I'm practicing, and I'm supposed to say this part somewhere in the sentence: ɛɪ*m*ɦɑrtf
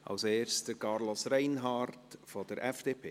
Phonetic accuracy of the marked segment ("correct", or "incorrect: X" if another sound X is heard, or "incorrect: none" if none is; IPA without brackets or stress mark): incorrect: n